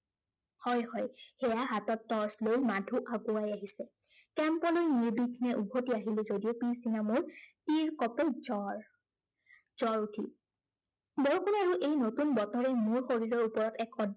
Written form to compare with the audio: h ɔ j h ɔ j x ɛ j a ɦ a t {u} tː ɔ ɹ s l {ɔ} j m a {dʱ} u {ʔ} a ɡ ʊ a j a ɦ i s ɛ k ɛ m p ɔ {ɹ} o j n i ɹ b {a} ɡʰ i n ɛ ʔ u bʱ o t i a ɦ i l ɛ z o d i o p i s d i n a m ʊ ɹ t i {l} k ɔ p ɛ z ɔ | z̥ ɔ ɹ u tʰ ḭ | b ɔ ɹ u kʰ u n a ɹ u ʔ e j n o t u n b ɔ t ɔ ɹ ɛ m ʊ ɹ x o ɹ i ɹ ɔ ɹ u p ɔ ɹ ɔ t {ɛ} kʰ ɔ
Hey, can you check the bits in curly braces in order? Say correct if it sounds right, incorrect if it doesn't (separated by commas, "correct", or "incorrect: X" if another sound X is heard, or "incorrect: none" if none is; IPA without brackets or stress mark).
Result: incorrect: ɔ, incorrect: o, correct, correct, incorrect: l, incorrect: i, incorrect: ɹ, correct